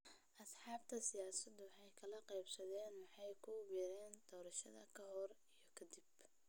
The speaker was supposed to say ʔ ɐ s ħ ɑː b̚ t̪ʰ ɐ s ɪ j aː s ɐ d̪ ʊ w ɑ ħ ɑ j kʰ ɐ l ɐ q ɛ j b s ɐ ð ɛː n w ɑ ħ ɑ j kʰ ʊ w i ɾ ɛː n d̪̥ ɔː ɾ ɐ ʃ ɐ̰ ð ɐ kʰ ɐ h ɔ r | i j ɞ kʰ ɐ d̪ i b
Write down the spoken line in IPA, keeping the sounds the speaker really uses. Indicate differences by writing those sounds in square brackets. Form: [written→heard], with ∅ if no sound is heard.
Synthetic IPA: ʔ ɐ s ħ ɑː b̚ t̪ʰ ɐ s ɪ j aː s ɐ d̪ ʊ w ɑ ħ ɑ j kʰ ɐ l ɐ q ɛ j b s ɐ ð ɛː n w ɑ ħ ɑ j kʰ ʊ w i ɾ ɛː n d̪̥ ɔː ɾ ɐ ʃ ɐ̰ ð ɐ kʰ ɐ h ɔ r | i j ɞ kʰ ɐ d̪ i b